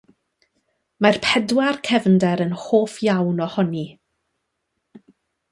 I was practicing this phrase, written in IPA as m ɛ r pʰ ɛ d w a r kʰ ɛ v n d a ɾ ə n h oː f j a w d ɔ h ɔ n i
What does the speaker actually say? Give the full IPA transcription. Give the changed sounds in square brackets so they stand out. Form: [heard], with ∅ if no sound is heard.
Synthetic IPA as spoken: m [a] r pʰ ɛ d w a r kʰ ɛ v n d [ɛ] ɾ ə n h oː f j a w [n] ɔ h ɔ n i